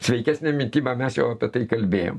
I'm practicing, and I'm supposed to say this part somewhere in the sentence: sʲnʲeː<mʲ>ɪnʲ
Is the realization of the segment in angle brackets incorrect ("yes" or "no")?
no